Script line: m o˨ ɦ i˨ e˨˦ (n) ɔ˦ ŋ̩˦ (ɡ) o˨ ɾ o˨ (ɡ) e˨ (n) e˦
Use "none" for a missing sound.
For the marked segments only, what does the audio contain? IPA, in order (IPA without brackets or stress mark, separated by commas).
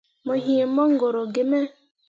m, ɡ, ɡ, m